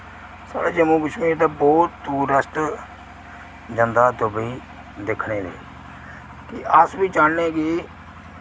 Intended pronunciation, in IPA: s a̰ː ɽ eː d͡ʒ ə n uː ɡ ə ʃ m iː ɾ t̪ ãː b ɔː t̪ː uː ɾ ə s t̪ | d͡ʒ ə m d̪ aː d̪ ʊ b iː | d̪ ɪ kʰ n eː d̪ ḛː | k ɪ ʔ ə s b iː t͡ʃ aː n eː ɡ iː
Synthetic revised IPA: s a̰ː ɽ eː d͡ʒ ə m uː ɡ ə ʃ m iː ɾ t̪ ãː b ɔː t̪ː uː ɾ ə s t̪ | d͡ʒ ə n d̪ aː d̪ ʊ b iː | d̪ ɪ kʰ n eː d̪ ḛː | k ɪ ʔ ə s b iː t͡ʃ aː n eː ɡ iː

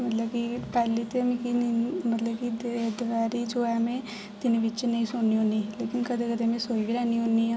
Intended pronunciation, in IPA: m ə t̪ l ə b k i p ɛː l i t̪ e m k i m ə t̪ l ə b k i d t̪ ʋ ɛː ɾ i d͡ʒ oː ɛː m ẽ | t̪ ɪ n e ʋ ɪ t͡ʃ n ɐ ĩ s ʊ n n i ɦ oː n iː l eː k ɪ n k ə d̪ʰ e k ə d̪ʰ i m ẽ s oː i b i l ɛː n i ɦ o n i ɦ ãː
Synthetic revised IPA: m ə t̪ l ə b k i p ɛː l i t̪ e m k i m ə t̪ l ə b k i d d̪ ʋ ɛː ɾ i d͡ʒ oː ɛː m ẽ | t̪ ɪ n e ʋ ɪ t͡ʃ n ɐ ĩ s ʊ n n i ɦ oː n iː l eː k ɪ n k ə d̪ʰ e k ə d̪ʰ e m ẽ s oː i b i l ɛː n i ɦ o n i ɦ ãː

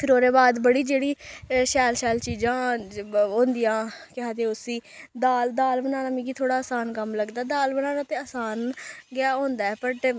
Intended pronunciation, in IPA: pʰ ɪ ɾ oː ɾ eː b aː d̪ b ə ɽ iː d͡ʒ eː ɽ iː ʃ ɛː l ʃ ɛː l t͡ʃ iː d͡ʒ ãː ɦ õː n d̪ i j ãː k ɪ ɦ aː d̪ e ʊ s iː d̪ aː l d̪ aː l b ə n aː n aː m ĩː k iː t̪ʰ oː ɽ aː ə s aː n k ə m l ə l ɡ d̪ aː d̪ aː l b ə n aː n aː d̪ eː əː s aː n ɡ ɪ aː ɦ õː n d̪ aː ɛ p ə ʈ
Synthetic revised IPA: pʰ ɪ ɾ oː ɾ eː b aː d̪ b ə ɽ iː d͡ʒ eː ɽ iː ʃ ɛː l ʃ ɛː l t͡ʃ iː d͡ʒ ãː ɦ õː n d̪ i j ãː k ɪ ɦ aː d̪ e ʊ s iː d̪ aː l d̪ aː l b ə n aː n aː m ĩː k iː t̪ʰ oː ɽ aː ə s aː n k ə m l ə ɡ d̪ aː d̪ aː l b ə n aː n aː t̪ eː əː s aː n ɡ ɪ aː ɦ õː n d̪ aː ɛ p ə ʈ

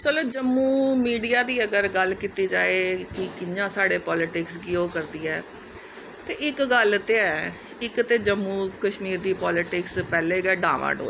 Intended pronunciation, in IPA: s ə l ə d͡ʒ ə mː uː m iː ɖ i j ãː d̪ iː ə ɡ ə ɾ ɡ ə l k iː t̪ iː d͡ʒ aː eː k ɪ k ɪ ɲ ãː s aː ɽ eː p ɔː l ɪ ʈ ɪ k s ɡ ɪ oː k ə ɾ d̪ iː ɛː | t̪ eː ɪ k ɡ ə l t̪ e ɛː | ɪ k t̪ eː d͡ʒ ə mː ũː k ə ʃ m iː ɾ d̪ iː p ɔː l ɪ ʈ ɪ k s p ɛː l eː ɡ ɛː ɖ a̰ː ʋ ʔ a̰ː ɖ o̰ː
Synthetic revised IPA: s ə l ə d͡ʒ ə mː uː m iː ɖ i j aː d̪ iː ə ɡ ə ɾ ɡ ə l k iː t̪ iː d͡ʒ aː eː k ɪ k ɪ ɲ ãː s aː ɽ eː p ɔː l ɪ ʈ ɪ k s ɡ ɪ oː k ə ɾ d̪ iː ɛː | t̪ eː ɪ k ɡ ə l t̪ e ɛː | ɪ k t̪ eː d͡ʒ ə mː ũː k ə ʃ m iː ɾ d̪ iː p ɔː l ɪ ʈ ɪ k s p ɛː l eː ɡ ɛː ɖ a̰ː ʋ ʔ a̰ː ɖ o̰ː

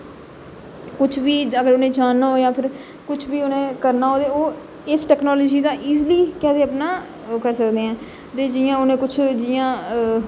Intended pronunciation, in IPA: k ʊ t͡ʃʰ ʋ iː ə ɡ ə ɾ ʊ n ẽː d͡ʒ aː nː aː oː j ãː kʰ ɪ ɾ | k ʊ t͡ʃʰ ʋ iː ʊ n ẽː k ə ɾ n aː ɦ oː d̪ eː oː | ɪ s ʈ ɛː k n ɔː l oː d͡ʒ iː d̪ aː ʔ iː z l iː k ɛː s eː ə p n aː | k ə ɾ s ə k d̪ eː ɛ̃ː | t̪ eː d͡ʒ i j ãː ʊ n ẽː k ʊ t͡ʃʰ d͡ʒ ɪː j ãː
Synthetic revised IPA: k ʊ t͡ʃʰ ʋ iː ə ɡ ə ɾ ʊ n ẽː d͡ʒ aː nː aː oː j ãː pʰ ɪ ɾ | k ʊ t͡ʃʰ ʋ iː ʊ n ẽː k ə ɾ n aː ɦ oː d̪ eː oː | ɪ s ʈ ɛː k n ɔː l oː d͡ʒ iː d̪ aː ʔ iː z l iː k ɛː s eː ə p n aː | k ə ɾ s ə k d̪ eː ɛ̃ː | t̪ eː d͡ʒ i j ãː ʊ n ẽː k ʊ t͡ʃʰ d͡ʒ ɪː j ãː

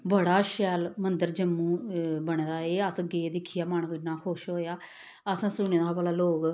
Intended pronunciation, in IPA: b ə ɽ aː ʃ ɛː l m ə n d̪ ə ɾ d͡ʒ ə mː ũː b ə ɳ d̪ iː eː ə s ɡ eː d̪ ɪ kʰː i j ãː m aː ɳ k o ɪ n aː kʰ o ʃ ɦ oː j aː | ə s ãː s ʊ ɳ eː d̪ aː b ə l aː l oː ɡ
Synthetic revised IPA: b ə ɽ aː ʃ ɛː l m ə n d̪ ə ɾ d͡ʒ ə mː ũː b ə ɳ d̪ aː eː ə s ɡ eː d̪ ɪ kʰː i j aː m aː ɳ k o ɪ n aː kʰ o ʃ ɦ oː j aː | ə s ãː s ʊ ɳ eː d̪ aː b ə l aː l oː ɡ

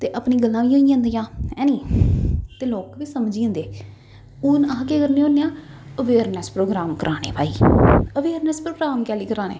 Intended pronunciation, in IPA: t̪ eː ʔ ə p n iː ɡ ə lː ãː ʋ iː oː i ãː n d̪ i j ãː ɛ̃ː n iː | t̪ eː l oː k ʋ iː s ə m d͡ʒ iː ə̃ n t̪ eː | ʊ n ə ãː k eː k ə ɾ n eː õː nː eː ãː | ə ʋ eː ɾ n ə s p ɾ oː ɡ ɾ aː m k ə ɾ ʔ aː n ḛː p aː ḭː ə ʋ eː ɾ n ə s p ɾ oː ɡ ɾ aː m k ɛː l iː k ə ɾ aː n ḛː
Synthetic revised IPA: t̪ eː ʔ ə p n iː ɡ ə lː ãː ʋ iː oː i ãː n d̪ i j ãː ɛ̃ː n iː | t̪ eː l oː k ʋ iː s ə m d͡ʒ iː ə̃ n d̪ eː | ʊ n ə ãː k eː k ə ɾ n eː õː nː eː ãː | ə ʋ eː ɾ n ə s p ɾ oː ɡ ɾ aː m k ə ɾ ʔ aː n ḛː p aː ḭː ə ʋ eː ɾ n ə s p ɾ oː ɡ ɾ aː m k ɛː l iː k ə ɾ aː n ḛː

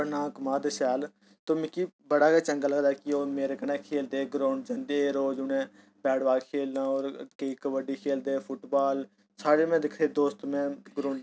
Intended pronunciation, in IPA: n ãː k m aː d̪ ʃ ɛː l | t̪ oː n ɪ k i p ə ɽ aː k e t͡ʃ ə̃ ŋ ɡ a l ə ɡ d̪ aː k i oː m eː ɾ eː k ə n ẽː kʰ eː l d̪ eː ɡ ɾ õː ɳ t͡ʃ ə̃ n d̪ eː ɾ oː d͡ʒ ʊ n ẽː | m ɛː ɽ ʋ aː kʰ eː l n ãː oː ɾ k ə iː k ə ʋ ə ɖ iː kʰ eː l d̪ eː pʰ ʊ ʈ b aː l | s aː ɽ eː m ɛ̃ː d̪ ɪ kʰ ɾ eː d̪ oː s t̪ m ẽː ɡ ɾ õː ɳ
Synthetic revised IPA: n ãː k m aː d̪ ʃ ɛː l | t̪ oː m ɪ k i b ə ɽ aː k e t͡ʃ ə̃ ŋ ɡ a l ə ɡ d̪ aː k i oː m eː ɾ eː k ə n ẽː kʰ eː l d̪ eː ɡ ɾ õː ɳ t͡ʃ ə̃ n d̪ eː ɾ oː d͡ʒ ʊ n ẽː | b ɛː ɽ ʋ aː kʰ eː l n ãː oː ɾ k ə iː k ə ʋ ə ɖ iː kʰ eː l d̪ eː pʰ ʊ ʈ b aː l | s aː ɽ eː m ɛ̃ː d̪ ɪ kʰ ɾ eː d̪ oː s t̪ m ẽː ɡ ɾ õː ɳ

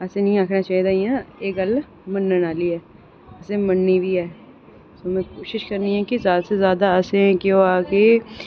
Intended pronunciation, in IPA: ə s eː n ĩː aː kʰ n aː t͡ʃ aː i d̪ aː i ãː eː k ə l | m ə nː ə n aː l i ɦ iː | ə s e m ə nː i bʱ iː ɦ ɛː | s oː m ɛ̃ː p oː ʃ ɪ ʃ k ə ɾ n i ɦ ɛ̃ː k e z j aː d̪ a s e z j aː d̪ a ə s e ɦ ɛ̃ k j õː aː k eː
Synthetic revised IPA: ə s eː n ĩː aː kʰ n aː t͡ʃ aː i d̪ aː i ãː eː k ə l | m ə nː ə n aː l i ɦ ɛː | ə s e m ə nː i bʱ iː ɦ ɛː | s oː m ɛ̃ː k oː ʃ ɪ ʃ k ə ɾ n i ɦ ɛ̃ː k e z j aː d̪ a s e z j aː d̪ a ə s e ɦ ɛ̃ k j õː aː k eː

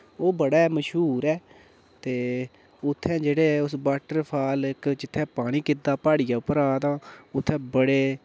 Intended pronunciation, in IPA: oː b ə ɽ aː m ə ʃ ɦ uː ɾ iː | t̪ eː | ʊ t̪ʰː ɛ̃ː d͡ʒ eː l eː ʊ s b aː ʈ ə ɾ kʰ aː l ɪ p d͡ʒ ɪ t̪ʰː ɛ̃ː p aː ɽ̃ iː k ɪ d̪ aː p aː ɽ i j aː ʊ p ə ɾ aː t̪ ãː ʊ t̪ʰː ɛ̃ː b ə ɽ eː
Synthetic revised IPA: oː b ə ɽ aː m ə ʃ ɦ uː ɾ ɛː | t̪ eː | ʊ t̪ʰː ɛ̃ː d͡ʒ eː ɽ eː ʊ s b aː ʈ ə ɾ pʰ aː l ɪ k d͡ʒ ɪ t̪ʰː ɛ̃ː p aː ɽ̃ iː k ɪ d̪ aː p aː ɽ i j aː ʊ p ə ɾ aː t̪ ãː ʊ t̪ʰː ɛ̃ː b ə ɽ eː

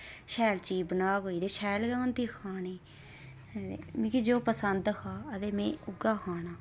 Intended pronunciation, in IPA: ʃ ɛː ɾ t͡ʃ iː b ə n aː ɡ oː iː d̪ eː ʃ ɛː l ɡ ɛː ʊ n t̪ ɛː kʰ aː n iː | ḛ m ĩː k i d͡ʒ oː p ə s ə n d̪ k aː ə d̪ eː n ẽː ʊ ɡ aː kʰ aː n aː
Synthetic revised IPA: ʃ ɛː l t͡ʃ iː b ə n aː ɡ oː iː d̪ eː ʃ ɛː l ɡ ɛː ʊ n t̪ iː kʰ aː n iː | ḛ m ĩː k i d͡ʒ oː p ə s ə n d̪ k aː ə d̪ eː m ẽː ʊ ɡ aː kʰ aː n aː

